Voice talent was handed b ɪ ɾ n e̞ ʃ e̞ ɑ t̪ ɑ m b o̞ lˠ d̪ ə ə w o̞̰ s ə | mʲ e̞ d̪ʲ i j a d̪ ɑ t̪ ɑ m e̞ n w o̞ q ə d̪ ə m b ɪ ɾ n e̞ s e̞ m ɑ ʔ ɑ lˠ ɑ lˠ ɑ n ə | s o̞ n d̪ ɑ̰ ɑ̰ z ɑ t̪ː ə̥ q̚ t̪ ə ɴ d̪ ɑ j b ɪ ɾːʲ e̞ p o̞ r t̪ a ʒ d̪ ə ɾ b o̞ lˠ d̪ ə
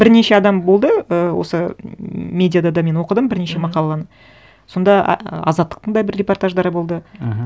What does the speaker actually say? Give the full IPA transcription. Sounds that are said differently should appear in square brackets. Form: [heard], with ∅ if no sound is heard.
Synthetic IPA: b ɪ ɾ n e̞ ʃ e̞ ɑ [d̪] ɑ m b o̞ lˠ d̪ ə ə w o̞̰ s ə | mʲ e̞ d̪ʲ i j a d̪ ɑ [d̪] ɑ m e̞ n w o̞ q ə d̪ ə m b ɪ ɾ n e̞ [ʃ] e̞ m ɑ [q] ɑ lˠ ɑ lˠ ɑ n ə | s o̞ n d̪ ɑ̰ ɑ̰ z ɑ t̪ː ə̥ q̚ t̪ ə ɴ d̪ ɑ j b ɪ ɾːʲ e̞ p o̞ r t̪ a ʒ d̪ [ɑ] ɾ b o̞ lˠ d̪ ə